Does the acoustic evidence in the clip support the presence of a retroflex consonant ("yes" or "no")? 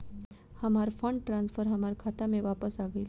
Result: yes